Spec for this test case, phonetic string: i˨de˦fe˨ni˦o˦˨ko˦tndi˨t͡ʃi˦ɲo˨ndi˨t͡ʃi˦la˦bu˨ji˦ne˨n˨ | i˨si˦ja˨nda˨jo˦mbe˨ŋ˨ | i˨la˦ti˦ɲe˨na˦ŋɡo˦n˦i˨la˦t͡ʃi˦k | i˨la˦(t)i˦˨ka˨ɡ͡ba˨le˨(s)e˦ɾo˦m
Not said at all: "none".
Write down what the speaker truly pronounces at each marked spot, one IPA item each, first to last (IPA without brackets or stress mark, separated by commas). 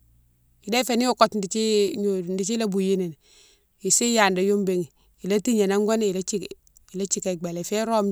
t͡ʃ, f